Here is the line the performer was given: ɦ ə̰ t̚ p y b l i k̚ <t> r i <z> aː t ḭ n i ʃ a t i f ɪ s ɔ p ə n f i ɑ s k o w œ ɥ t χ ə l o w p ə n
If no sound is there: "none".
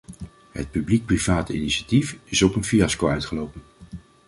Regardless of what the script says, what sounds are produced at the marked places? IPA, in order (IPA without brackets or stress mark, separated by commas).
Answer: p, v